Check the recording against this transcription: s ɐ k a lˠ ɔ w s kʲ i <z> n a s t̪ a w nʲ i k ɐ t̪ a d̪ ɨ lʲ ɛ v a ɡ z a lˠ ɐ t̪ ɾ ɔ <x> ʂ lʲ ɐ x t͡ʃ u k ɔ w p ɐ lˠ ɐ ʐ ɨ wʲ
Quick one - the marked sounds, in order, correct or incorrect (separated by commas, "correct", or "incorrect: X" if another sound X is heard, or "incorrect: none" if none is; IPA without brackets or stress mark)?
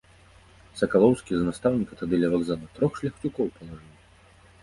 correct, correct